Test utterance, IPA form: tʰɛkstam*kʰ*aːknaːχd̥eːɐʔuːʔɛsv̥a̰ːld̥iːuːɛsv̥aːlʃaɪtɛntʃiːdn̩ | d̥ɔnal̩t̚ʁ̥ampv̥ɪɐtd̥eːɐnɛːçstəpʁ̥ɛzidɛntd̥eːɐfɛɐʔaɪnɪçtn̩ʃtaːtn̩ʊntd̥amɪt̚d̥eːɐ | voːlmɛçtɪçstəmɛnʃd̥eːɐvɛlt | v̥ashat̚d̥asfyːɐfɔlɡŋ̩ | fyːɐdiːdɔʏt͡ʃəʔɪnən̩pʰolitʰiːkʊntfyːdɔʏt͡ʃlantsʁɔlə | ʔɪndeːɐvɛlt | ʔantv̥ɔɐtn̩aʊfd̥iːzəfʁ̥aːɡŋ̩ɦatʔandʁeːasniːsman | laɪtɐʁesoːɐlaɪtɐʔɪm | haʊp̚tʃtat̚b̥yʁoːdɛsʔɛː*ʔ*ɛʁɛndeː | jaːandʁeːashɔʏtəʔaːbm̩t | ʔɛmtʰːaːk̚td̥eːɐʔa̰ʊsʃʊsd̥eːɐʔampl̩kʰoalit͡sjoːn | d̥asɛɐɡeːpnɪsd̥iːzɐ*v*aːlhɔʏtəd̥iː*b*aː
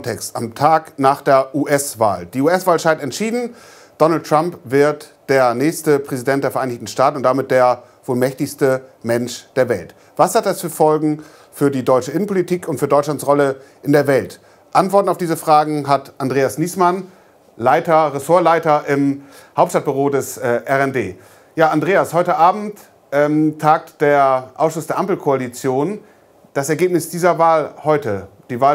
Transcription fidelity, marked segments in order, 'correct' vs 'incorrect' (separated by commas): incorrect, correct, correct, incorrect